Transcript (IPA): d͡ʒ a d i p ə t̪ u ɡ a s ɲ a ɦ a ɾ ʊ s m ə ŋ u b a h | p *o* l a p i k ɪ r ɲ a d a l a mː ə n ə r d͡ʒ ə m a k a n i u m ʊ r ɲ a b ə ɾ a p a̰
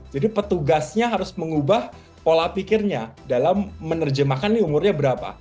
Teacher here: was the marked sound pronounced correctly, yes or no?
yes